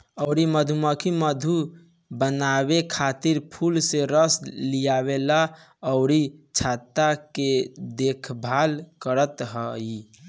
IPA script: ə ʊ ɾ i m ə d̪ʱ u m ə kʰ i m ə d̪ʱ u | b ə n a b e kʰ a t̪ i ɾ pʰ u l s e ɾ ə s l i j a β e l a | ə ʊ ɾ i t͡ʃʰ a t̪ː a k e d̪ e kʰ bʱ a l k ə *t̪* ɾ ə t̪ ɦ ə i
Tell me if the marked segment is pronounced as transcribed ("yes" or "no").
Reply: no